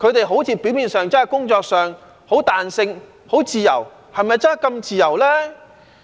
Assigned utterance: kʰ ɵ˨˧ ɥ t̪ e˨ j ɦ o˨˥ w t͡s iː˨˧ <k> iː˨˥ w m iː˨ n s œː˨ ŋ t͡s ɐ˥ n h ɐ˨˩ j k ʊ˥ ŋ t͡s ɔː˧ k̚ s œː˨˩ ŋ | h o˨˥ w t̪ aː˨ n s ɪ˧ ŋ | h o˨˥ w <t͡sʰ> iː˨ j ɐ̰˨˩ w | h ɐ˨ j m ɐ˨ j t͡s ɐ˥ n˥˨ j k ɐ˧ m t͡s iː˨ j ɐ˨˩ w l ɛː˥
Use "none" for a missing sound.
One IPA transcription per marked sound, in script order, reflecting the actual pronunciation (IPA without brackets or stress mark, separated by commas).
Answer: p, t͡s